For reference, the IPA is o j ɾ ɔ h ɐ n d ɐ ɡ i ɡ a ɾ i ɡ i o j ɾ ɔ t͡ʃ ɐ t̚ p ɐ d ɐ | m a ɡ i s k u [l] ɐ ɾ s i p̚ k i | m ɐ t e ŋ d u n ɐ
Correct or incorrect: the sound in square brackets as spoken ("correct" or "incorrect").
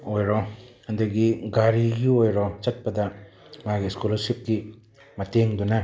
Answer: correct